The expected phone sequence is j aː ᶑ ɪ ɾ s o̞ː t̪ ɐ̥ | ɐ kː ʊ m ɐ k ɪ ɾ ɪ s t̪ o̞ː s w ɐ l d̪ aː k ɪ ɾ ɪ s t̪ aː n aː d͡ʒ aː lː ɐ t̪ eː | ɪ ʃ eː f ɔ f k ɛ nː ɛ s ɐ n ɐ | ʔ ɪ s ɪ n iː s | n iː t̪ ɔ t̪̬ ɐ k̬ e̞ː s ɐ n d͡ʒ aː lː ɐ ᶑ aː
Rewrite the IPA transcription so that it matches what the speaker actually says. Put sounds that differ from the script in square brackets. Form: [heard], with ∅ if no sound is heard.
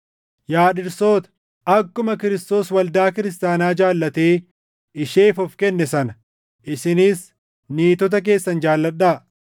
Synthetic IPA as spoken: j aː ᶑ ɪ ɾ s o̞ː t̪ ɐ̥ | ɐ kː ʊ m ɐ k ɪ ɾ ɪ s t̪ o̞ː s w ɐ l d̪ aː k ɪ ɾ ɪ s t̪ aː n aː d͡ʒ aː lː ɐ t̪ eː | ɪ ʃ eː f ɔ f k ɛ nː ɛ s ɐ n ɐ | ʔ ɪ s ɪ n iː s | n iː t̪ ɔ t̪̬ ɐ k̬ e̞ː [sː] ɐ n d͡ʒ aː lː ɐ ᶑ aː